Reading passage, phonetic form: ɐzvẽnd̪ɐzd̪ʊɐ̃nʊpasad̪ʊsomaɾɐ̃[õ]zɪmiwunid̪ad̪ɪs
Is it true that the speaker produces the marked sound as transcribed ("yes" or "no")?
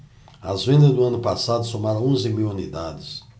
yes